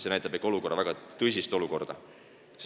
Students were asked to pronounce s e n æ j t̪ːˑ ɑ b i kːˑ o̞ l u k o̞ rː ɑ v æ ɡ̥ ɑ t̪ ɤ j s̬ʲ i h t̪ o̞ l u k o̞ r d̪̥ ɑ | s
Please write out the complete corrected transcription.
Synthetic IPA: s e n æ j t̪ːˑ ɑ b e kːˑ o̞ l u k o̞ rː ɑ v æ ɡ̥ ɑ t̪ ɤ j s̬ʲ i s t̪ o̞ l u k o̞ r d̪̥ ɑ | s